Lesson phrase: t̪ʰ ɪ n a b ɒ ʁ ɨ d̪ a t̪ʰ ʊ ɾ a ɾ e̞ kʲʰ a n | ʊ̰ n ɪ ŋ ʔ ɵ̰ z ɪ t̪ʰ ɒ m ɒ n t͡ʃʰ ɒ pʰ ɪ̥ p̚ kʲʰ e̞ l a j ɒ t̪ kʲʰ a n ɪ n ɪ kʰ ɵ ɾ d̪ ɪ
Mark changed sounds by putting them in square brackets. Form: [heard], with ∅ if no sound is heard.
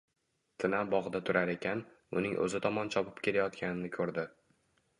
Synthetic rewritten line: t̪ʰ ɪ n a b ɒ ʁ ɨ d̪ a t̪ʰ ʊ ɾ a ɾ e̞ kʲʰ a n | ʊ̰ n ɪ ŋ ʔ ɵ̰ z ɪ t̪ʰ ɒ m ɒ n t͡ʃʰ ɒ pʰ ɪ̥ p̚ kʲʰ e̞ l a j ɒ t̪ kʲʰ a n ɪ n ɪ kʰ ɵ ɾ d̪ ɪ